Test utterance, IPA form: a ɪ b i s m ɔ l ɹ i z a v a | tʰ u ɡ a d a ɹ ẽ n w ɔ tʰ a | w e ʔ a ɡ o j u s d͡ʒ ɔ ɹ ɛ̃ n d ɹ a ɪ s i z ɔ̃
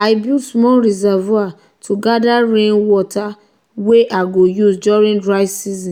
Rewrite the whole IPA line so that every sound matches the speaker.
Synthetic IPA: a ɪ b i s m ɔ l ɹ i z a v a | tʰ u ɡ a d a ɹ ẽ n w ɔ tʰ a | w e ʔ a ɡ o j u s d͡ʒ ɔ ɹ ĩ n d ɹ a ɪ s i z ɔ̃